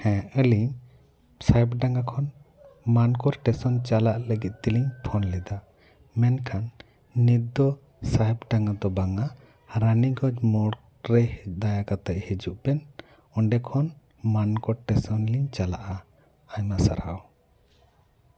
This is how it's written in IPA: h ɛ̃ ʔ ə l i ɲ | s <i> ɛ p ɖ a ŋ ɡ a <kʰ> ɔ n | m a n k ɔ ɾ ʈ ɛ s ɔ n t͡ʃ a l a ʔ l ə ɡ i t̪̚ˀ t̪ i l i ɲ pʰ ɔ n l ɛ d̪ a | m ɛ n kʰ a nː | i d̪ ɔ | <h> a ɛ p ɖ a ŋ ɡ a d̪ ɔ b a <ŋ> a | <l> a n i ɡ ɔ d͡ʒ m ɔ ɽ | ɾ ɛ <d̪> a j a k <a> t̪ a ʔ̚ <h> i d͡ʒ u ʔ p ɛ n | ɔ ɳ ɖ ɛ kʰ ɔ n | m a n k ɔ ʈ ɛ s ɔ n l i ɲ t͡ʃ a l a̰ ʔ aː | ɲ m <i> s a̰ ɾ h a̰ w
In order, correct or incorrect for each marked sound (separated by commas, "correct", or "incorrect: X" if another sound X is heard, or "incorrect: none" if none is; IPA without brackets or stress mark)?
incorrect: a, correct, incorrect: s, correct, incorrect: ɾ, correct, correct, correct, incorrect: a